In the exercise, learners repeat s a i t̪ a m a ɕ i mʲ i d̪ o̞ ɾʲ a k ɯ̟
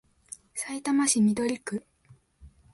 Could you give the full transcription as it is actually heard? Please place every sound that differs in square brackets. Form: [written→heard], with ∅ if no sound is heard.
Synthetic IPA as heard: s a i t̪ a m a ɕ i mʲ i d̪ o̞ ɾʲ [a→i] k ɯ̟